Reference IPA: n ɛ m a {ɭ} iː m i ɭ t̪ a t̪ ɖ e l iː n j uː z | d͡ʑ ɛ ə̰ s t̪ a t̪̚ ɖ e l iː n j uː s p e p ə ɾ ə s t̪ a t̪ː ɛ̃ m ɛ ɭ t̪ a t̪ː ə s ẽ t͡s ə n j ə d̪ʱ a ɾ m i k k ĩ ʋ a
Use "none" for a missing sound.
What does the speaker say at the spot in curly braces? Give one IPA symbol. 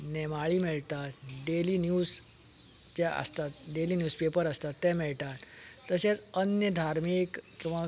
ɭ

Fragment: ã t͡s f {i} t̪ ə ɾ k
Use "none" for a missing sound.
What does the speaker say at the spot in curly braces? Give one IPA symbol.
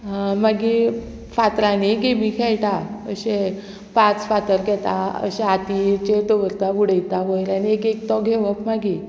a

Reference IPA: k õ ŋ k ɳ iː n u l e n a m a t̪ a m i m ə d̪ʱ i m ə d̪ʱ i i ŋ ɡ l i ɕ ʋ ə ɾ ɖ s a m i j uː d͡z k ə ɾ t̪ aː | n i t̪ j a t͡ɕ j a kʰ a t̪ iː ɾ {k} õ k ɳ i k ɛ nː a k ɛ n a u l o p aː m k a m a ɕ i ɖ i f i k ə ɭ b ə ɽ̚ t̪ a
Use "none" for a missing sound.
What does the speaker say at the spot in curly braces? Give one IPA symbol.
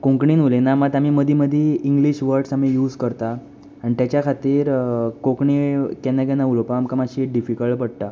k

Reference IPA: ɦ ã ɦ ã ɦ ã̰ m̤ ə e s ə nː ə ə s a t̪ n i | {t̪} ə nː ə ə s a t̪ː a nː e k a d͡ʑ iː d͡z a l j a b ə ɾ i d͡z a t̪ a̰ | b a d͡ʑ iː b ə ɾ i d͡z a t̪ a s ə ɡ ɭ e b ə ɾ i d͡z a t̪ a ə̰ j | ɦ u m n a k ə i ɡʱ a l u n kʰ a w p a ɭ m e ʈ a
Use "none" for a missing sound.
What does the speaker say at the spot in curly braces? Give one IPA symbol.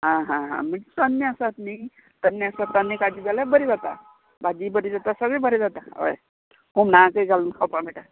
t̪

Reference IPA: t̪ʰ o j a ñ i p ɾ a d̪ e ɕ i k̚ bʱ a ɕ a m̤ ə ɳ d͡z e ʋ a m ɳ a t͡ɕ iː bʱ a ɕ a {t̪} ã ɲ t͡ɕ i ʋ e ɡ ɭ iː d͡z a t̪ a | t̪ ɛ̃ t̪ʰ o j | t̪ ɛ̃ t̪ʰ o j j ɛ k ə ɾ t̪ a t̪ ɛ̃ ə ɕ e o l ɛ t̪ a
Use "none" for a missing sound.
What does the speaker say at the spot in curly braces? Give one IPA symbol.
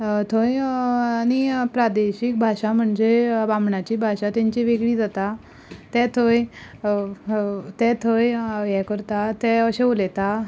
t̪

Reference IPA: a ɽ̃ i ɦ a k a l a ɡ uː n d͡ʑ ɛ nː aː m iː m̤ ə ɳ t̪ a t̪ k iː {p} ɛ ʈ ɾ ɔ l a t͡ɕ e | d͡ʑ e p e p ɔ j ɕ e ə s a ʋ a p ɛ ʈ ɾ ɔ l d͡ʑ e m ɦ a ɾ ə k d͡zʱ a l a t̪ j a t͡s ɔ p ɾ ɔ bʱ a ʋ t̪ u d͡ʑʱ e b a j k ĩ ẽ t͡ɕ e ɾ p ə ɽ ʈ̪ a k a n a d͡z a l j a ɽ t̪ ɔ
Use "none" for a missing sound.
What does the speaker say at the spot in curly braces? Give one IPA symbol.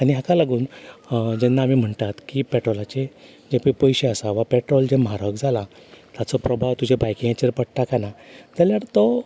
p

